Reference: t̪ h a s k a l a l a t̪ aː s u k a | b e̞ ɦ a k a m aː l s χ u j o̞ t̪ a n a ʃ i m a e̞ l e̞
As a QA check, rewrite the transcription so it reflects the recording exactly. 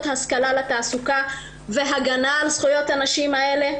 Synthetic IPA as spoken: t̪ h a s k a l a l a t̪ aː s u k a | v e̞ ɦ a ɡ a n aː l s χ u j o̞ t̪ a n a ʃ i m a e̞ l e̞